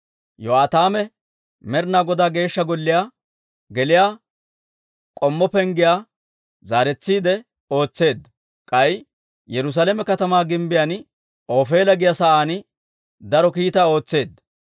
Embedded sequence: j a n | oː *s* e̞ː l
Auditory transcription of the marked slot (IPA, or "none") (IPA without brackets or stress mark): f